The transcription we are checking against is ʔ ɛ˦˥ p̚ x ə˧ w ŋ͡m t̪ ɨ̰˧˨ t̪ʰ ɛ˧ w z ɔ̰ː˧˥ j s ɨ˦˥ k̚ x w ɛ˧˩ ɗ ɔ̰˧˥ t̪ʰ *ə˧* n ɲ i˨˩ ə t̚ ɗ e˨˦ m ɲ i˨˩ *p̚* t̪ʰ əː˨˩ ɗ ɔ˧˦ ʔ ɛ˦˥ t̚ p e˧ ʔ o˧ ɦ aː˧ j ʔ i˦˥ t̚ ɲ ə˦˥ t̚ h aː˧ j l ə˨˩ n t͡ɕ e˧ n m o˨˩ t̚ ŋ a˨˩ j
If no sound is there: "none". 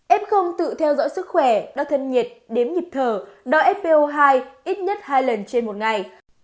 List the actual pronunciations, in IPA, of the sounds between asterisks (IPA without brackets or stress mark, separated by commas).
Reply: ə˧, p̚